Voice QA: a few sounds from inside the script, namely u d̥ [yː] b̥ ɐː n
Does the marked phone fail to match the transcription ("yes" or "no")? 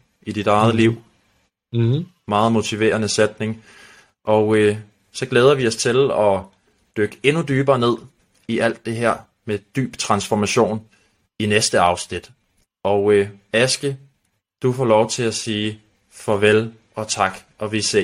no